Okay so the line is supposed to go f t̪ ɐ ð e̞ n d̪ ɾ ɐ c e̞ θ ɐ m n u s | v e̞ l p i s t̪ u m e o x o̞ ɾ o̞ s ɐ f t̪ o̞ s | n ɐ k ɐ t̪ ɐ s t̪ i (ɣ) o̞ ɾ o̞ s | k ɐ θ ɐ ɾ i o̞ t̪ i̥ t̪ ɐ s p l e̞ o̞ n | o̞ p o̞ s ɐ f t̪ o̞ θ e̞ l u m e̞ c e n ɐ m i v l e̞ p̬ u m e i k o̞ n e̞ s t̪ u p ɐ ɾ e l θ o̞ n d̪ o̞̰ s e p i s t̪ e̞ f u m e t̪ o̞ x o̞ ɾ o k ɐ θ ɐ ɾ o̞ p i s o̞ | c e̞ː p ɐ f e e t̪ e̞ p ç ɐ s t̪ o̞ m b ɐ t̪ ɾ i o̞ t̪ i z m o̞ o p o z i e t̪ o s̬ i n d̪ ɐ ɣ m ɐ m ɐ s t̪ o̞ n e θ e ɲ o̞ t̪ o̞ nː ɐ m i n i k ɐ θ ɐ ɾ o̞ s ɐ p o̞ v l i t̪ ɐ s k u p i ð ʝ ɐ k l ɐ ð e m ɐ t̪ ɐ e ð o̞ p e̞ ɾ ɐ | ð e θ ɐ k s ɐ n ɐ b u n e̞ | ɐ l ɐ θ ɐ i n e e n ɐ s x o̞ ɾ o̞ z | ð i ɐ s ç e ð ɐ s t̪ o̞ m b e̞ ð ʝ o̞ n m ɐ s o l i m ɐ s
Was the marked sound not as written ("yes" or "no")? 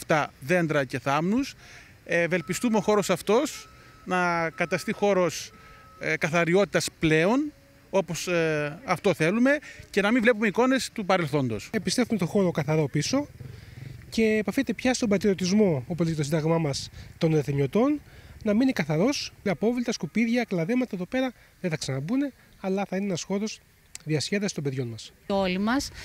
yes